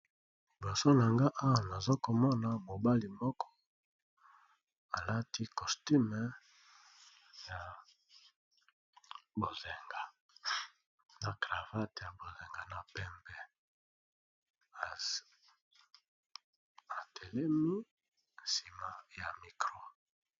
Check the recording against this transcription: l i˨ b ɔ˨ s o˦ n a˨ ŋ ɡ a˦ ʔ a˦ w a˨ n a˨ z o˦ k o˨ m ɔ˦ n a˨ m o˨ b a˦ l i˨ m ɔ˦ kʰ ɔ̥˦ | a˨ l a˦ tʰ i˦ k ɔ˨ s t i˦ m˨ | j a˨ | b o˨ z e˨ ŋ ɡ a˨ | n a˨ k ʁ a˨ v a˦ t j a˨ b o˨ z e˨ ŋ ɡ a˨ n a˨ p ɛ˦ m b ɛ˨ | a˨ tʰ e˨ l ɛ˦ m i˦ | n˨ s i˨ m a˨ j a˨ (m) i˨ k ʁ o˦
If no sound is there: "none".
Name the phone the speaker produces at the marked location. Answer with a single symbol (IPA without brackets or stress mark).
m